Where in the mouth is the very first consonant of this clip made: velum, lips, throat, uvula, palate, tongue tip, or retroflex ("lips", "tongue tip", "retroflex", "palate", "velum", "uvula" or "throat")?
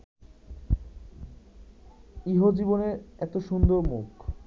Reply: throat